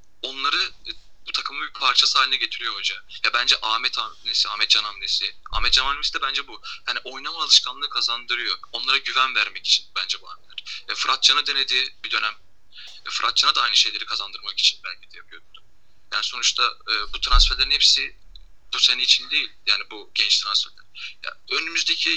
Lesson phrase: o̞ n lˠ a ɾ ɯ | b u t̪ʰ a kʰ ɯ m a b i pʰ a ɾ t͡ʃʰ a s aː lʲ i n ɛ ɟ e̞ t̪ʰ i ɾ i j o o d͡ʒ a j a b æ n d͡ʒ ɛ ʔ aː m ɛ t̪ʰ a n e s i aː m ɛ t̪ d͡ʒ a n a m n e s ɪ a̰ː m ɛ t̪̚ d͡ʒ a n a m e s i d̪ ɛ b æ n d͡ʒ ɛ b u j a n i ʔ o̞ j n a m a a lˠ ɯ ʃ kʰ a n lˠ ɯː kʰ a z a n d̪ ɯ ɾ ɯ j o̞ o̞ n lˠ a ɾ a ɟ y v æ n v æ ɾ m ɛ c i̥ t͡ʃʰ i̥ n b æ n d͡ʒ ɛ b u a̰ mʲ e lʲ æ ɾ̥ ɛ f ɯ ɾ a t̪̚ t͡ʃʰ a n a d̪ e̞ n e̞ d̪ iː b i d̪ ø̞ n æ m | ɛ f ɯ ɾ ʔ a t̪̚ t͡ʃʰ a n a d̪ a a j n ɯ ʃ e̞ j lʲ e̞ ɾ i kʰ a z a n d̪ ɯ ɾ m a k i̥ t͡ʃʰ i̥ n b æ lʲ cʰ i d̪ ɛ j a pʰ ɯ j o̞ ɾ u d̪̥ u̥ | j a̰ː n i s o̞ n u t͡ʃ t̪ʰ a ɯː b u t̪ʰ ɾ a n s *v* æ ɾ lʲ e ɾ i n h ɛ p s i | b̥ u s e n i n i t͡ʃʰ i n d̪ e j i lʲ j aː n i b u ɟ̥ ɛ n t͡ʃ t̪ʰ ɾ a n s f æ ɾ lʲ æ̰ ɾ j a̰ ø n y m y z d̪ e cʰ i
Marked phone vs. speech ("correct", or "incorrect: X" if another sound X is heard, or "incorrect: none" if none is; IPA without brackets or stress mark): incorrect: f